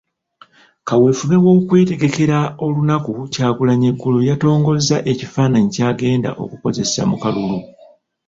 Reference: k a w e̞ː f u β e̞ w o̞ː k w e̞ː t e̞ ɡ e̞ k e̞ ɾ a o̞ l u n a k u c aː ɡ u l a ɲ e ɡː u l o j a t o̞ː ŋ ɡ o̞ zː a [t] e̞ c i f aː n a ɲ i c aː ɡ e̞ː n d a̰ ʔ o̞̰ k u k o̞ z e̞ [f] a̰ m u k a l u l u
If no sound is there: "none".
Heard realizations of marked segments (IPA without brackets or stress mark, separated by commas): ʔ, s